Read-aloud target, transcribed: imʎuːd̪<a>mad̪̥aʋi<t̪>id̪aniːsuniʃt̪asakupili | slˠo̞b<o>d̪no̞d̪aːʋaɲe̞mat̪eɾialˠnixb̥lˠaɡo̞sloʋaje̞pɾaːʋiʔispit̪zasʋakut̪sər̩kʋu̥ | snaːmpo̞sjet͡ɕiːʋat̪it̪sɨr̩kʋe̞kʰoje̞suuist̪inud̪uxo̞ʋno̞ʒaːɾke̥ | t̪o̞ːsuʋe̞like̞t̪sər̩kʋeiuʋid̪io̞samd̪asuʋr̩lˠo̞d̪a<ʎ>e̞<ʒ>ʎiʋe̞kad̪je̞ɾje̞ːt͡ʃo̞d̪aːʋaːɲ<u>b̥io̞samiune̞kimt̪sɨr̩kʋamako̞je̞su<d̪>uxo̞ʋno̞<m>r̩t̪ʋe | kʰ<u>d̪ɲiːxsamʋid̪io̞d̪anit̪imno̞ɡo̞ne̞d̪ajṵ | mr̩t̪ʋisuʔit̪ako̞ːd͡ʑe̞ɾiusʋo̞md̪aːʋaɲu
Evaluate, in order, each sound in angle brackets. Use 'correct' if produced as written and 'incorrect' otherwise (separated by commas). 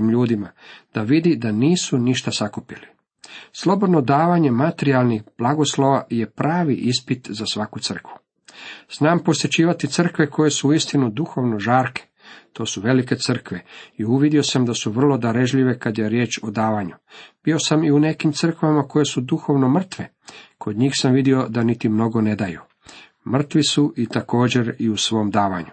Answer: incorrect, incorrect, correct, incorrect, correct, correct, correct, correct, incorrect